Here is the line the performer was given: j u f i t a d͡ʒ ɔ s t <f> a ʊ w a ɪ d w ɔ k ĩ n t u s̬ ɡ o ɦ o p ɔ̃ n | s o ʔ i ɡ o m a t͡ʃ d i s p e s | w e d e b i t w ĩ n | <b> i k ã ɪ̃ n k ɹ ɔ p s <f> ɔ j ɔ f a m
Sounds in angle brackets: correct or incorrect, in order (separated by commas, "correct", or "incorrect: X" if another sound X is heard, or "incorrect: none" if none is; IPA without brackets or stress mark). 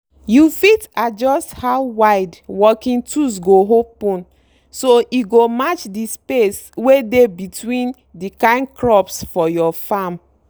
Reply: incorrect: h, incorrect: d, correct